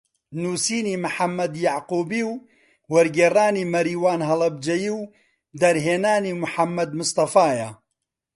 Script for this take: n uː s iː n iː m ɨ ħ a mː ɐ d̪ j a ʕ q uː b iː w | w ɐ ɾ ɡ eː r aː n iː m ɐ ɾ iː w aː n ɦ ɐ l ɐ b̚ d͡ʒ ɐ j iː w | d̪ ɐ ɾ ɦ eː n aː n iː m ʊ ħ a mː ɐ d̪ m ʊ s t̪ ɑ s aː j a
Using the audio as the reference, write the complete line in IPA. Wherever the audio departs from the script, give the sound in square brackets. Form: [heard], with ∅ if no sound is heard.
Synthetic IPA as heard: n uː s iː n iː m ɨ ħ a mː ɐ d̪ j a ʕ q uː b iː w | w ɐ ɾ ɡ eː r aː n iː m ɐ ɾ iː w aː n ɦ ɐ l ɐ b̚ d͡ʒ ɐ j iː w | d̪ ɐ ɾ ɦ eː n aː n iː m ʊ ħ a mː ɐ d̪ m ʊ s t̪ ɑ [f] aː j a